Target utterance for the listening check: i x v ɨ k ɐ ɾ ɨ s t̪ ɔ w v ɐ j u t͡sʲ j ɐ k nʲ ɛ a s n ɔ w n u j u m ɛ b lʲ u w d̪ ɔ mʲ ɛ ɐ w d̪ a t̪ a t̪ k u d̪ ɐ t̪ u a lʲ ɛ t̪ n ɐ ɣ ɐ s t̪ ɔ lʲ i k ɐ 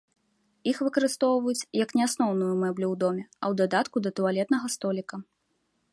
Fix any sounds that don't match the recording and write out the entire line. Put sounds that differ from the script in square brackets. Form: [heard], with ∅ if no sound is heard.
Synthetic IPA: i x v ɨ k ɐ ɾ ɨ s t̪ ɔ w v ɐ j u t͡sʲ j ɐ k nʲ ɛ a s n ɔ w n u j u m ɛ b lʲ u w d̪ ɔ mʲ ɛ ɐ w d̪ a [d̪] a t̪ k u d̪ ɐ t̪ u a lʲ ɛ t̪ n ɐ ɣ ɐ s t̪ ɔ lʲ i k ɐ